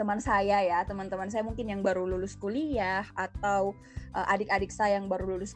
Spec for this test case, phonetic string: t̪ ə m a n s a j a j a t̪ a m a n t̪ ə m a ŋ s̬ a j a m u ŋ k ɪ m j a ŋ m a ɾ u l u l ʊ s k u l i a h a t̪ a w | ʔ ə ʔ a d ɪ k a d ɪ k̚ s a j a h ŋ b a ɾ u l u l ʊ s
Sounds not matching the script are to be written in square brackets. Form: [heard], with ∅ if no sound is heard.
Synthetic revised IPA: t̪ ə m a n s a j a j a t̪ [ə] m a n t̪ ə m a [n] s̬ a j a m u ŋ k ɪ [n] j a ŋ [b] a ɾ u l u l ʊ s k u l i a h a t̪ a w | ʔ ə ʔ a d ɪ k a d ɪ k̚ s a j a [∅] ŋ b a ɾ u l u l ʊ s